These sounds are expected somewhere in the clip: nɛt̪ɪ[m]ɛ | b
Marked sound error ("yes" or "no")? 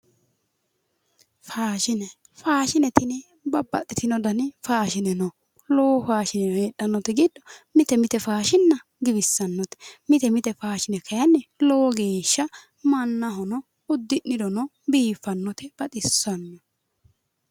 yes